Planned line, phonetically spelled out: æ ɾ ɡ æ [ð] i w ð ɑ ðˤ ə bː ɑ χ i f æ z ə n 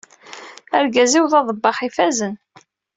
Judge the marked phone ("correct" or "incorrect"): incorrect